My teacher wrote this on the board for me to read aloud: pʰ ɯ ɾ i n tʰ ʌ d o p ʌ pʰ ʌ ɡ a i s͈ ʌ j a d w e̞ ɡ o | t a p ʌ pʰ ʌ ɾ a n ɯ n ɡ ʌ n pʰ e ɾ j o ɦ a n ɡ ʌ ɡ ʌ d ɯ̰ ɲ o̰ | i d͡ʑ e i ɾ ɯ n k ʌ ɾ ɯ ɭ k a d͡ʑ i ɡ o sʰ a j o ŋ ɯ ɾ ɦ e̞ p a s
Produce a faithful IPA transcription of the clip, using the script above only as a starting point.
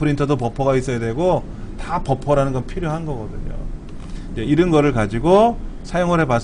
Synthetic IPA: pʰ ɯ ɾ i n tʰ ʌ d o p ʌ pʰ ʌ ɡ a i s͈ ʌ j a d w e̞ ɡ o | t a p ʌ pʰ ʌ ɾ a n ɯ n ɡ ʌ n pʰ i ɾ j o ɦ a n ɡ ʌ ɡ ʌ d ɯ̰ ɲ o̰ | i d͡ʑ e i ɾ ɯ n ɡ ʌ ɾ ɯ ɭ k a d͡ʑ i ɡ o sʰ a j o ŋ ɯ ɾ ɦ e̞ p a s

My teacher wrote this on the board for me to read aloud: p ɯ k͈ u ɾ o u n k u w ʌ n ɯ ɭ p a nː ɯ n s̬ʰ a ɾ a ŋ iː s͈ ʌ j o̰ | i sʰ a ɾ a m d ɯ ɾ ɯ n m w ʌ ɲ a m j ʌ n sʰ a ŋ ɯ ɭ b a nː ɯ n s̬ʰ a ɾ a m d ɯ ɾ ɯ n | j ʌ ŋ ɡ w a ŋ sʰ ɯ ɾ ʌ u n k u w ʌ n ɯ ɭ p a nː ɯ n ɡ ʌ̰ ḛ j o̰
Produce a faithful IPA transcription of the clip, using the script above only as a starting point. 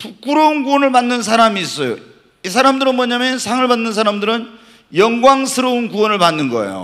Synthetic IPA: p u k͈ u ɾ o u n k u w ʌ n ɯ ɭ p a nː ɯ n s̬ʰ a ɾ a m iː s͈ ʌ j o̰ | i sʰ a ɾ a m d ɯ ɾ ɯ n m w ʌ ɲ a m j ʌ n sʰ a ŋ ɯ ɭ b a nː ɯ n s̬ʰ a ɾ a m d ɯ ɾ ɯ n | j ʌ ŋ ɡ w a ŋ sʰ ɯ ɾ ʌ u n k u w ʌ n ɯ ɭ p a nː ɯ n ɡ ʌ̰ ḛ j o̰

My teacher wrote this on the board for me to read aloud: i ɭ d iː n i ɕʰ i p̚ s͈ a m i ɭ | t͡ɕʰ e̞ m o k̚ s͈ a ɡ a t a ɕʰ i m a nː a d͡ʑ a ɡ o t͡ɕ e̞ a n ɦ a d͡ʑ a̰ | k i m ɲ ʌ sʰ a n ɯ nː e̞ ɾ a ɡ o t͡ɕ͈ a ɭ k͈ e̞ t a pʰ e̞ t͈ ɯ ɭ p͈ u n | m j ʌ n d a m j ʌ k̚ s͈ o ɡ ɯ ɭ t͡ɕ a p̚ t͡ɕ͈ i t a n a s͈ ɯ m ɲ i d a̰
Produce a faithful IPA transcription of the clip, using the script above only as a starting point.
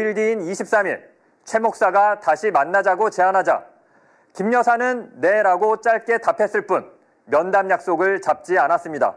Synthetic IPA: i ɭ d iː n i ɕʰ i p̚ s͈ a m i ɭ | t͡ɕʰ e̞ m o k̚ s͈ a ɡ a t a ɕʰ i m a nː a d͡ʑ a ɡ o t͡ɕ e̞ a n ɦ a d͡ʑ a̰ | k i m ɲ ʌ sʰ a n ɯ nː e̞ ɾ a ɡ o t͡ɕ͈ a ɭ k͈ e̞ t a pʰ e̞ s͈ ɯ ɭ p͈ u n | m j ʌ n d a m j a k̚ s͈ o ɡ ɯ ɭ t͡ɕ a p̚ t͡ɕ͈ i a n a s͈ ɯ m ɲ i d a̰

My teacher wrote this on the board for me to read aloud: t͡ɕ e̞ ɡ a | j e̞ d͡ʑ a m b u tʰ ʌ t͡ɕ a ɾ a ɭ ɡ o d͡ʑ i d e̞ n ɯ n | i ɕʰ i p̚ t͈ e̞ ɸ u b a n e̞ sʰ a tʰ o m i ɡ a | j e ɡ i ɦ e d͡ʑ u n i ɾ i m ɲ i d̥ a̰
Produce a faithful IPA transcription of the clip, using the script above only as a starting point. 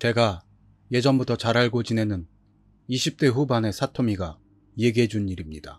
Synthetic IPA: t͡ɕ e̞ ɡ a | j e̞ d͡ʑ ʌ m b u tʰ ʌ t͡ɕ a ɾ a ɭ ɡ o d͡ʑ i n e̞ n ɯ n | i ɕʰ i p̚ t͈ e̞ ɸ u b a n e̞ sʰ a tʰ o m i ɡ a | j e ɡ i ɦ e d͡ʑ u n i ɾ i m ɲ i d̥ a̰

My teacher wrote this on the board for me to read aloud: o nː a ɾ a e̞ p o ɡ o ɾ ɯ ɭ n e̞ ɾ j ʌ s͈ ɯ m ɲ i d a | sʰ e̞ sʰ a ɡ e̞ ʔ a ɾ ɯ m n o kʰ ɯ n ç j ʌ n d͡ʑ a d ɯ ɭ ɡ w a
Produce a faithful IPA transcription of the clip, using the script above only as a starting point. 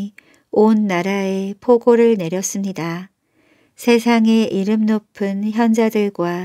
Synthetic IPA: o nː a ɾ a e̞ pʰ o ɡ o ɾ ɯ ɭ n e̞ ɾ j ʌ s͈ ɯ m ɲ i d a | sʰ e̞ sʰ a ŋ e̞ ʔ i ɾ ɯ m n o pʰ ɯ n ç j ʌ n d͡ʑ a d ɯ ɭ ɡ w a

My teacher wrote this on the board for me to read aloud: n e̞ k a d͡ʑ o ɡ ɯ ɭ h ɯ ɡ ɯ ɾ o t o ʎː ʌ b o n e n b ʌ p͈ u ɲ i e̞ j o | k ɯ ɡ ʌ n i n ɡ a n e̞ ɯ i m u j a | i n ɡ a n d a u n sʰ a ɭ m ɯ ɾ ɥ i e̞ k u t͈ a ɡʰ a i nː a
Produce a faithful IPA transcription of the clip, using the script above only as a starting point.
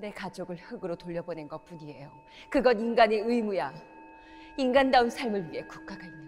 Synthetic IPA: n e̞ k a d͡ʑ o ɡ ɯ ɭ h ɯ ɡ ɯ ɾ o t o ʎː ʌ b o n e n ɡ ʌ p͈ u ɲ i e̞ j o | k ɯ ɡ ʌ n i n ɡ a n e̞ ɯ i m u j a | i n ɡ a n d a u n sʰ a ɭ m ɯ ɭ ɥ i e̞ k u k͈ a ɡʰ a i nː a

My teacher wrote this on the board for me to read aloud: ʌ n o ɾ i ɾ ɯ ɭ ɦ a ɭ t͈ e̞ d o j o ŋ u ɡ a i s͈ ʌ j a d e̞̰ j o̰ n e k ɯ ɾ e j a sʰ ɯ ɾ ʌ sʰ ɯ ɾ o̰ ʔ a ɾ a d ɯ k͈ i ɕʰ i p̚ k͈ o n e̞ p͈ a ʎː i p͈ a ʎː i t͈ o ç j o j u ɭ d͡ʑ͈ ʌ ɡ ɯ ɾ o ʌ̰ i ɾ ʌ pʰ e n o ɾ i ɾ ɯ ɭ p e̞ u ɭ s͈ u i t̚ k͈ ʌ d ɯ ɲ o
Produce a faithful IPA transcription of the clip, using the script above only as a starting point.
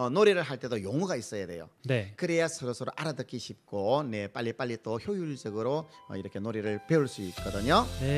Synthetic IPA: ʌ n o ɾ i ɾ ɯ ɭ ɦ a ɭ t͈ e̞ d o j o ŋ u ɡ a i s͈ ʌ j a d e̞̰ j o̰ n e k ɯ ɾ e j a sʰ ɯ ɾ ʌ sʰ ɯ ɾ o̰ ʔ a ɾ a d ɯ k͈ i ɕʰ i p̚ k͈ o n e̞ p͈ a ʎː i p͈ a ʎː i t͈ o ç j o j u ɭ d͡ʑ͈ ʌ ɡ ɯ ɾ o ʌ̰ i ɾ ʌ kʰ e n o ɾ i ɾ ɯ ɭ p e̞ u ɭ s͈ u i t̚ k͈ ʌ d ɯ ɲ o

